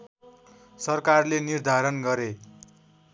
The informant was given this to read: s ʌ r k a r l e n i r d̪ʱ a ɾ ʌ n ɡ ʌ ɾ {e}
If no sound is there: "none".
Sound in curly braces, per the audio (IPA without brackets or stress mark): e